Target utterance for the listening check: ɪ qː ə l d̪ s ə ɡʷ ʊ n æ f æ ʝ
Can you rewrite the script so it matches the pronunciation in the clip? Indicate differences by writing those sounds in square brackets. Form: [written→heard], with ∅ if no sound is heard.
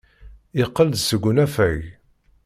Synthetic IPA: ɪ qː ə l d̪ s ə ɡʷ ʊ n æ f æ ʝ